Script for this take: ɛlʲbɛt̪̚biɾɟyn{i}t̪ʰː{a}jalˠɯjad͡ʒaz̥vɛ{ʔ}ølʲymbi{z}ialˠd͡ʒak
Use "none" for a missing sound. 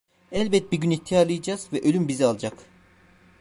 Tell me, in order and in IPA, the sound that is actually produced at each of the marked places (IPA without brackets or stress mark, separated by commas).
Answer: i, i, ʔ, z